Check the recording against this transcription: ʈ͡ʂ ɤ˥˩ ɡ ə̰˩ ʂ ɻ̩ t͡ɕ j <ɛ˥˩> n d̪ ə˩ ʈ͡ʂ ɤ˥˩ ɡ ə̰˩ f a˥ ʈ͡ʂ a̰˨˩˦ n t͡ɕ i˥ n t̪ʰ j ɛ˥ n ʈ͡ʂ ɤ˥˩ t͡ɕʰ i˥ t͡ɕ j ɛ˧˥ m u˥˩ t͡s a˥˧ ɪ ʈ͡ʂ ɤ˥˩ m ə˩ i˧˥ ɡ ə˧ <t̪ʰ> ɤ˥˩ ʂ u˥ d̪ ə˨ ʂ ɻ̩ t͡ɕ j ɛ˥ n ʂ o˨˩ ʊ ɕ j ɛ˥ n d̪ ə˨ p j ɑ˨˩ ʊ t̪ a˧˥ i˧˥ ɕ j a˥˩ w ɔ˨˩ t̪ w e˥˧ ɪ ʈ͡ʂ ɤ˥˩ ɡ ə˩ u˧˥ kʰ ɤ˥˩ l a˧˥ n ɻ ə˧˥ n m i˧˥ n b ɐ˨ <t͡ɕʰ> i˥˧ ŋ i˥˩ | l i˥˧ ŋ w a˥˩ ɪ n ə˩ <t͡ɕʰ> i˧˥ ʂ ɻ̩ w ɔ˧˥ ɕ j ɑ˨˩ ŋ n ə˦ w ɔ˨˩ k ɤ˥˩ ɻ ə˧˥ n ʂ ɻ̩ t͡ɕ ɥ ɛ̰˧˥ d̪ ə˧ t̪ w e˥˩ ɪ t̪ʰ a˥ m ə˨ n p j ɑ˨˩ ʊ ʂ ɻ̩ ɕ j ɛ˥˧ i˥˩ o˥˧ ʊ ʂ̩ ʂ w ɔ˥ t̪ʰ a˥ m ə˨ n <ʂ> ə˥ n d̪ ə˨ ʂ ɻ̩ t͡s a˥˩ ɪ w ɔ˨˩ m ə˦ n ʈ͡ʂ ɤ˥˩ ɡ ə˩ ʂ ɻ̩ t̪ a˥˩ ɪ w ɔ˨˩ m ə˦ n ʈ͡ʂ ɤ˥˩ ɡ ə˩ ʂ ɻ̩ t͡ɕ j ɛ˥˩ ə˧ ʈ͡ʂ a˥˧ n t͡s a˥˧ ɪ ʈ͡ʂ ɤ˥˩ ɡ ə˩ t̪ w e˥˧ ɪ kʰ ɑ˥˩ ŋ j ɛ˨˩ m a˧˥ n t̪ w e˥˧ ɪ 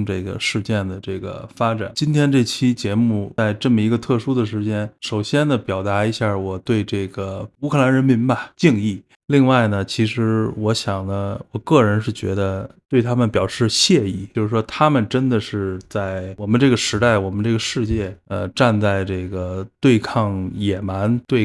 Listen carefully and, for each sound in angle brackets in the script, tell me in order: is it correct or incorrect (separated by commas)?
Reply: correct, correct, incorrect, correct, incorrect